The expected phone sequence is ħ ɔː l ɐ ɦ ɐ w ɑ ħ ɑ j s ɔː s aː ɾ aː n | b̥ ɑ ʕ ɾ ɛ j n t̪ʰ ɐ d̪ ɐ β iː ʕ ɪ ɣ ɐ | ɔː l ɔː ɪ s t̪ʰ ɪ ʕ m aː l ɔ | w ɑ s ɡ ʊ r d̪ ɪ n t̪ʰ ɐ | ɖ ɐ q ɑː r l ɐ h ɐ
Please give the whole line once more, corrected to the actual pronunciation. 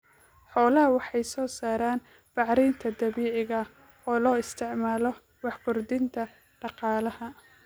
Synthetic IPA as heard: ħ ɔː l ɐ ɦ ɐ w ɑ ħ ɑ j s ɔː s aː ɾ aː n | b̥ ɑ ʕ ɾ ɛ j n t̪ʰ ɐ d̪ ɐ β iː ʕ ɪ ɣ ɐ | ɔː l ɔː ɪ s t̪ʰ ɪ ʕ m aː l ɔ | w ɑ ħ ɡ ʊ r d̪ ɪ n t̪ʰ ɐ | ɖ ɑ q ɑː l ɐ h ɐ